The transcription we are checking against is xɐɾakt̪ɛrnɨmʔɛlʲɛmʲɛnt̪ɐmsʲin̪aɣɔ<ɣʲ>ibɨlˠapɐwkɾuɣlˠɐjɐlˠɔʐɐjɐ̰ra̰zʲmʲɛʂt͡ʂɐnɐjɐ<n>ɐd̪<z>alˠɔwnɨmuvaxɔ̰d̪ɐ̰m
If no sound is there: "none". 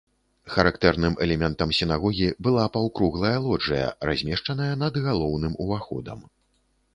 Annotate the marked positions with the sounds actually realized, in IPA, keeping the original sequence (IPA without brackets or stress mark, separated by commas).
ɣʲ, n, ɣ